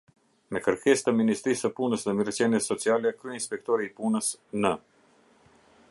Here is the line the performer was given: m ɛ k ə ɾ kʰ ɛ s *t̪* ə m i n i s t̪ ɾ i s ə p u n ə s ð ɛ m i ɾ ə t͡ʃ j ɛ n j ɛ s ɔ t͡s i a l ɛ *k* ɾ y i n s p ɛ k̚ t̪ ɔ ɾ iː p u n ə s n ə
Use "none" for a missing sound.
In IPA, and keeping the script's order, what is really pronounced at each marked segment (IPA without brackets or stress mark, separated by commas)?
t̪, k